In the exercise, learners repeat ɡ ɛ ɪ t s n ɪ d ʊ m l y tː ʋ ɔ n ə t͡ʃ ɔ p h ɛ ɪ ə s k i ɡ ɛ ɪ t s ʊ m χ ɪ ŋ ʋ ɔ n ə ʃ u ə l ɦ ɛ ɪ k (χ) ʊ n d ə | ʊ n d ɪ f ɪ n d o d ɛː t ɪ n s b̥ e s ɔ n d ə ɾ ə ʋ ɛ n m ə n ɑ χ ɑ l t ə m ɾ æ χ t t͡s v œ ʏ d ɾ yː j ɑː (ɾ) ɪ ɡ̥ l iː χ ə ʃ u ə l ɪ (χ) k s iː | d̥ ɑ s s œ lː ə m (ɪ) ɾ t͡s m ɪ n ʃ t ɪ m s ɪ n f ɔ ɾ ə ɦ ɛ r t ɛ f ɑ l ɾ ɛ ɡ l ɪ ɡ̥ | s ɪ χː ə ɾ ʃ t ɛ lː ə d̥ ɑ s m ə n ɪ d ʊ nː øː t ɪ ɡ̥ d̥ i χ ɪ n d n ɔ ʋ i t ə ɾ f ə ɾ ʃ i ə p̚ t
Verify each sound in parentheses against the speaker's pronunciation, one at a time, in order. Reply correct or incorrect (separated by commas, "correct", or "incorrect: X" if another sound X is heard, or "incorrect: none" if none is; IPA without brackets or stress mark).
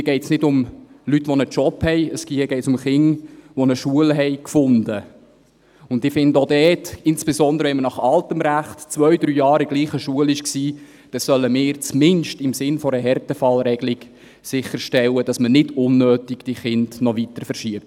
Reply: incorrect: f, correct, incorrect: ʃ, incorrect: ɪː